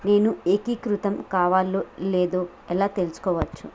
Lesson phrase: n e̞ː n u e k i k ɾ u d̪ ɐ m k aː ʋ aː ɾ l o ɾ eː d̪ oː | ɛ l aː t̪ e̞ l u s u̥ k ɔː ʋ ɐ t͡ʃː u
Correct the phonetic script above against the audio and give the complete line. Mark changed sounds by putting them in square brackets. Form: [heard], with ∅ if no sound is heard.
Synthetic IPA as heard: n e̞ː n u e k i k ɾ u [t̪] ɐ m k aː ʋ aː [∅] l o [l] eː d̪ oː | ɛ l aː t̪ e̞ l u s u̥ k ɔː ʋ ɐ t͡ʃː u